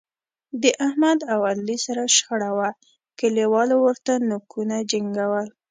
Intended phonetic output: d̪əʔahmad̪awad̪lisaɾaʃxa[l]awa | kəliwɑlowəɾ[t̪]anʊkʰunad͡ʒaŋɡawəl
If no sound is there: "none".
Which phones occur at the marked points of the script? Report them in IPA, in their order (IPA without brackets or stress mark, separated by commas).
ɽ, t̪